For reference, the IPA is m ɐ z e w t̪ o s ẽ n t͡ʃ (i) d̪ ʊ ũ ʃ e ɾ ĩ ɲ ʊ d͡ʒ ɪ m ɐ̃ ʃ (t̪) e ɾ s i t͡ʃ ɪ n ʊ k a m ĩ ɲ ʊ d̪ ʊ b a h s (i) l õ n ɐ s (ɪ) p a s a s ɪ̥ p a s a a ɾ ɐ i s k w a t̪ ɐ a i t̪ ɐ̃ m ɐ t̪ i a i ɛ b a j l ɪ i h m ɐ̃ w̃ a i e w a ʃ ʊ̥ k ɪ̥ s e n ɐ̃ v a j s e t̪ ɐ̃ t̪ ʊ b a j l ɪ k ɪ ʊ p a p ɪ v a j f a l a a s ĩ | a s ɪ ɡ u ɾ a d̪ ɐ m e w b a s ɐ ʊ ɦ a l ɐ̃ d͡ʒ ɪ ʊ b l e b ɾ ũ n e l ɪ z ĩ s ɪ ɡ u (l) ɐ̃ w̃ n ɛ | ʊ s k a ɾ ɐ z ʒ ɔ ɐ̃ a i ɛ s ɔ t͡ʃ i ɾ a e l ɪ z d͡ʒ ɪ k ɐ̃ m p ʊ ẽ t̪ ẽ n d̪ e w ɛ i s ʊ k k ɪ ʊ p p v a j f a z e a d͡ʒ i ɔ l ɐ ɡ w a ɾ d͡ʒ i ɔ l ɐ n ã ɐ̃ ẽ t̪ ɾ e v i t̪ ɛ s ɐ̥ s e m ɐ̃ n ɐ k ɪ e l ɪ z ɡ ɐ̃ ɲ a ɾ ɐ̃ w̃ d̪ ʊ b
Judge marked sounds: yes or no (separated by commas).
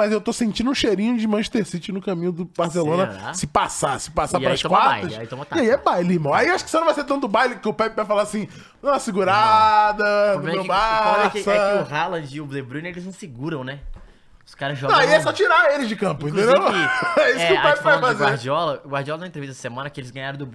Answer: no, yes, no, yes, no